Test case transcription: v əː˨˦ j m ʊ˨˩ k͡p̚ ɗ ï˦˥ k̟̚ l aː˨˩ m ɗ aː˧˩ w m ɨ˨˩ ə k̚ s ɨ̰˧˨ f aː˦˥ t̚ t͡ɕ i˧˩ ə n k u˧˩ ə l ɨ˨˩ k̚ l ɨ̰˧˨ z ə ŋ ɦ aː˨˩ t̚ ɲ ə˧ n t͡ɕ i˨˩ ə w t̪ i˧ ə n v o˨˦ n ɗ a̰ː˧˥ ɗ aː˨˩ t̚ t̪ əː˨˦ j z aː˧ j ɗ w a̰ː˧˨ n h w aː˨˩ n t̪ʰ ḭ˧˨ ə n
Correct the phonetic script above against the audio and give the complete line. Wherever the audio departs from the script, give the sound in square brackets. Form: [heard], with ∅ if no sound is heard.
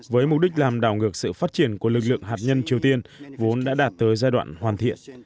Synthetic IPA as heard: v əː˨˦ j m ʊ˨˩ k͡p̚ ɗ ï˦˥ k̟̚ l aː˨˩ m ɗ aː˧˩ w [ŋ] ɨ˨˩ ə k̚ s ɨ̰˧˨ f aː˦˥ t̚ t͡ɕ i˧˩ ə n k u˧˩ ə l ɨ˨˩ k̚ l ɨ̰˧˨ [∅] ə ŋ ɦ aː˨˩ t̚ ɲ ə˧ n t͡ɕ i˨˩ ə w t̪ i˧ ə n v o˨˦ n ɗ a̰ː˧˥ ɗ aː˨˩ t̚ t̪ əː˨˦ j z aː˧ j ɗ w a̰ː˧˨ n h w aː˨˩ n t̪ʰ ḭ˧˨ ə n

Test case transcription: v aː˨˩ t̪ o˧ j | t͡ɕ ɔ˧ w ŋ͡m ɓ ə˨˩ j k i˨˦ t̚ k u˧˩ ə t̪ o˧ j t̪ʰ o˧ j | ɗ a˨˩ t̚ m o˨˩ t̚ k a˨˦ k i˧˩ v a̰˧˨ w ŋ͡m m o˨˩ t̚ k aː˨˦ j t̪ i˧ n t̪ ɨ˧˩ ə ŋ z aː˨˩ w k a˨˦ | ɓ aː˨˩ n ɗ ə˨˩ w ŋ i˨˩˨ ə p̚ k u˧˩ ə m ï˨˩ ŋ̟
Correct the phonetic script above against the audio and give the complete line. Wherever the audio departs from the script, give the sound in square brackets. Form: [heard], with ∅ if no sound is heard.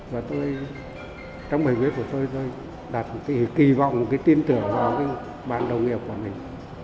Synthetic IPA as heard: v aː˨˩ t̪ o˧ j | t͡ɕ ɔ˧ w ŋ͡m ɓ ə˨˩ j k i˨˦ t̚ k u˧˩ ə t̪ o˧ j [t̪] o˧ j | ɗ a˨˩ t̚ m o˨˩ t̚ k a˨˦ k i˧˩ v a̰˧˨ w ŋ͡m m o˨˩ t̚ k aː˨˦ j t̪ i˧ n t̪ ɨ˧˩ ə ŋ [v] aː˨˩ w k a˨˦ | ɓ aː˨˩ n ɗ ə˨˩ w ŋ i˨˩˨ ə p̚ k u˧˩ ə m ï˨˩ ŋ̟

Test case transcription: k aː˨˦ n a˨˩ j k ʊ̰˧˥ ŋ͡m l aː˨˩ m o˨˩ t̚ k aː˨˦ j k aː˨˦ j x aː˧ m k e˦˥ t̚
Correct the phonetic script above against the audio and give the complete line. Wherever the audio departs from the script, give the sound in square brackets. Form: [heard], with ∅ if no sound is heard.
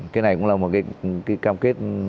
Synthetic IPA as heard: k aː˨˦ n a˨˩ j k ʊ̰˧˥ ŋ͡m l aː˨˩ m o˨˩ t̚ k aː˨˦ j k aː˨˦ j [k] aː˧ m k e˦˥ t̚

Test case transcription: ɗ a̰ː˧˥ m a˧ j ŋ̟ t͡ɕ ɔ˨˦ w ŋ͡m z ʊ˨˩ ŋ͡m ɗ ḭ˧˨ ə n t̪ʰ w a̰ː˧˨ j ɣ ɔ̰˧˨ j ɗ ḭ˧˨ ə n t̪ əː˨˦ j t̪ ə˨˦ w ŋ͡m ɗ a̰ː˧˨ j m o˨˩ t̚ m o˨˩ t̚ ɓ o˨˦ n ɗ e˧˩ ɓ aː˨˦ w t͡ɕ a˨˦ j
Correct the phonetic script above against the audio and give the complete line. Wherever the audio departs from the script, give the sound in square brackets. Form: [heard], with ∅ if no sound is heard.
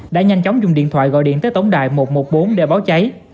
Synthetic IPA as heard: ɗ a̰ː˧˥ [ɲ] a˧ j ŋ̟ t͡ɕ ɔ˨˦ w ŋ͡m z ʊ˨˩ ŋ͡m ɗ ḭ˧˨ ə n t̪ʰ w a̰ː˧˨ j ɣ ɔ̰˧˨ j ɗ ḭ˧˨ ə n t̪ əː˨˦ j t̪ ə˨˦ w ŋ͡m ɗ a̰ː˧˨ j m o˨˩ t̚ m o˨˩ t̚ ɓ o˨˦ n ɗ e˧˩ ɓ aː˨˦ w t͡ɕ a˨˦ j

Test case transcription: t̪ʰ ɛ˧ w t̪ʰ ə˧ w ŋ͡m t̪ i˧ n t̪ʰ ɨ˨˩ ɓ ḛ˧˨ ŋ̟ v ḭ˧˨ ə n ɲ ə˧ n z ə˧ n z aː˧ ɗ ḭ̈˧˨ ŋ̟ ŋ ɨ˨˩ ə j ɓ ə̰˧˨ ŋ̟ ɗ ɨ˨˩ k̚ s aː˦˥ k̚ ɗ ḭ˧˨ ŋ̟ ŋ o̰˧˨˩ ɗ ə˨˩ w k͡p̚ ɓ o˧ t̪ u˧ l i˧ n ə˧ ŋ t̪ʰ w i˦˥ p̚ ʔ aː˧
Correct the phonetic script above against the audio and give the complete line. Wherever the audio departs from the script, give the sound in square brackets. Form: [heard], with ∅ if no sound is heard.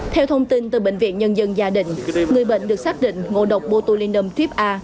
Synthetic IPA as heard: t̪ʰ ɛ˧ w t̪ʰ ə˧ w ŋ͡m t̪ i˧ n [t̪] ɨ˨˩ ɓ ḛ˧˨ ŋ̟ v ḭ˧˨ ə n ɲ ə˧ n z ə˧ n z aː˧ ɗ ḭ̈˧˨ ŋ̟ ŋ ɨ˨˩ ə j ɓ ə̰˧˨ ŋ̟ ɗ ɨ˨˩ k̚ s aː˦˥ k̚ ɗ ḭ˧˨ ŋ̟ ŋ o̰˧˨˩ ɗ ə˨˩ w k͡p̚ ɓ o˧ t̪ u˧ l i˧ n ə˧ [m] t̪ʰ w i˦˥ p̚ ʔ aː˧

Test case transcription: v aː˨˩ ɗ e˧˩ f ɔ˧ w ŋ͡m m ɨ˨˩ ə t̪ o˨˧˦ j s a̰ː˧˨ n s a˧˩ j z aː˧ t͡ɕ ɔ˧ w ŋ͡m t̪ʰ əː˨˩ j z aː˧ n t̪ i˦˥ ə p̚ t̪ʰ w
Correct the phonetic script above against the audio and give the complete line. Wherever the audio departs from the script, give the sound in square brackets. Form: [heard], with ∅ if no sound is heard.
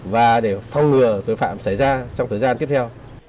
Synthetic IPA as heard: v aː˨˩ ɗ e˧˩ f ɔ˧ w ŋ͡m [ŋ] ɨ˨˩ ə t̪ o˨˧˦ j [f] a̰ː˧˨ [m] s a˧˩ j z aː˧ t͡ɕ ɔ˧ w ŋ͡m t̪ʰ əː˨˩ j z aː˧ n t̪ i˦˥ ə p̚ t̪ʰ w

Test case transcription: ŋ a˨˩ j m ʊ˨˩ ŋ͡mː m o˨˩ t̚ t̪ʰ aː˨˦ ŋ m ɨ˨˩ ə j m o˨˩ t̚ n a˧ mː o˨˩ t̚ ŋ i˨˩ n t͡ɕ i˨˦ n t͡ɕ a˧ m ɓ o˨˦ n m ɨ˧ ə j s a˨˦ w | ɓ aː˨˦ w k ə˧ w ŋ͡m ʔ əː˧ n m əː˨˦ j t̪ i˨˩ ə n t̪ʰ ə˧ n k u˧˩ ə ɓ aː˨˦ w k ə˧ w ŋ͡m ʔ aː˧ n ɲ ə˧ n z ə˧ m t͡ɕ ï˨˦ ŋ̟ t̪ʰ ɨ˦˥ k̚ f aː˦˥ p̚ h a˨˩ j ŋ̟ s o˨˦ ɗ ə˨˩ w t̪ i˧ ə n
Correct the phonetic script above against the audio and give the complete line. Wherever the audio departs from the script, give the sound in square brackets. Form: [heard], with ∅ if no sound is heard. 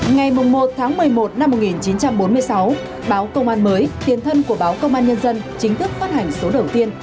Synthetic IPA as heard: ŋ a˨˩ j m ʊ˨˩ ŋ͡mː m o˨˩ t̚ t̪ʰ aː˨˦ ŋ m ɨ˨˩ ə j m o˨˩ t̚ n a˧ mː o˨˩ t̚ ŋ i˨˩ n t͡ɕ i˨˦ n t͡ɕ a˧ m ɓ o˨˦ n m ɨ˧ ə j s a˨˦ w | ɓ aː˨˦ w k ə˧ w ŋ͡m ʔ [aː˧] n m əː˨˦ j t̪ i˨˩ ə n t̪ʰ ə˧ n k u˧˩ ə ɓ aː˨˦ w k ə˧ w ŋ͡m ʔ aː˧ n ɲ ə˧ n z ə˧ [n] t͡ɕ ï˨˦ ŋ̟ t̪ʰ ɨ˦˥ k̚ f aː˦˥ [t̚] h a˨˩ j ŋ̟ s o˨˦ ɗ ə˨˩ w t̪ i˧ ə n

